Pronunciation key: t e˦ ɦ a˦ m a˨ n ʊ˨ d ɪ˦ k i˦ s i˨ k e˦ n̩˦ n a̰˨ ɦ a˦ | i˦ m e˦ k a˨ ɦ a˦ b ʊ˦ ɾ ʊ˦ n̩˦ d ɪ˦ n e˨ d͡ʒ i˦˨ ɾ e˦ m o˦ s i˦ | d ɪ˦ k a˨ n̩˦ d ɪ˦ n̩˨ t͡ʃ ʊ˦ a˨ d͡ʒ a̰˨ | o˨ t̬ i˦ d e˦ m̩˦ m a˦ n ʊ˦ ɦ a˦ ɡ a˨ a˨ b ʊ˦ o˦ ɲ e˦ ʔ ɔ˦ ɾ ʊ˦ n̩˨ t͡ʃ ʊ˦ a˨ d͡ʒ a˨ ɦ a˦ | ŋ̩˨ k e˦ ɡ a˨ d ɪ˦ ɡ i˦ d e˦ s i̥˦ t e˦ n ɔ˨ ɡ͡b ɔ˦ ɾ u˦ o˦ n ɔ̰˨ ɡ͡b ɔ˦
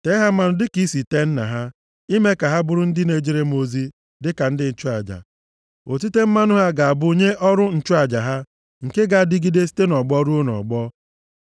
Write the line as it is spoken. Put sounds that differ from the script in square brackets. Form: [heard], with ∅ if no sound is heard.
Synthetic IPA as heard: t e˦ ɦ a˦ m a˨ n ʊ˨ d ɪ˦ k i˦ s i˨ [t] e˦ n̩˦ n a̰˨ ɦ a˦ | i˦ m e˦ k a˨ ɦ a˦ b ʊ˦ ɾ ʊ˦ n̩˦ d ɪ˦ n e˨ d͡ʒ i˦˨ ɾ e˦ m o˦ [z] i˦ | d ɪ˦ k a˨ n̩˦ d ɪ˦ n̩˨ t͡ʃ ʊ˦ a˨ d͡ʒ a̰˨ | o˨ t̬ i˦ [t] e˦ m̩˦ m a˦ n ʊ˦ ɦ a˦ ɡ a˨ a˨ b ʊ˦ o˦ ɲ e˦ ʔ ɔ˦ ɾ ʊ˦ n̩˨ t͡ʃ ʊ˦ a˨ d͡ʒ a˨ ɦ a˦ | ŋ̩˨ k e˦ ɡ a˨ d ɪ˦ ɡ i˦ d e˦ s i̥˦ t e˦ n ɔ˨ ɡ͡b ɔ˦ ɾ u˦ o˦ n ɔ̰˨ ɡ͡b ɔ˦